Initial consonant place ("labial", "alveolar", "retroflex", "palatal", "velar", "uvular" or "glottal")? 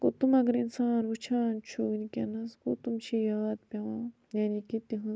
velar